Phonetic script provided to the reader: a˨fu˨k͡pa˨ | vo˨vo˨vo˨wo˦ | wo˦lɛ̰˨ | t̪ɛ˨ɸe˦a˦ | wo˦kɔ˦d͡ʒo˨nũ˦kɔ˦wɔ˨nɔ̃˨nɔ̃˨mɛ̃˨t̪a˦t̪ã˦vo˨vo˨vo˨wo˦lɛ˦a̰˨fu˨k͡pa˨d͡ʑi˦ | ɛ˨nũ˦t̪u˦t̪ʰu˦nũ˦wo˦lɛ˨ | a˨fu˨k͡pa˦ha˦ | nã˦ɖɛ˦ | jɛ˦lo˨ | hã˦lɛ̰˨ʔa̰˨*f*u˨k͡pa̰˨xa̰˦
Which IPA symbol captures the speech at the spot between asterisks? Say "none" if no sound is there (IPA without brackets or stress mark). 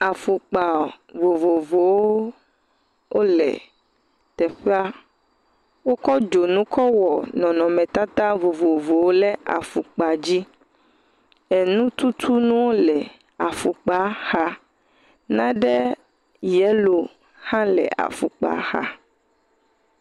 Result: f